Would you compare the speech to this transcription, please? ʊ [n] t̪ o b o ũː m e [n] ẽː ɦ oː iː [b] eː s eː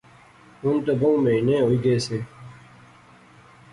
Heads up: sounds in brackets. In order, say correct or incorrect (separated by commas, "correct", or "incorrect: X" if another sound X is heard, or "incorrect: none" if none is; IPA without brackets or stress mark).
correct, correct, incorrect: ɡ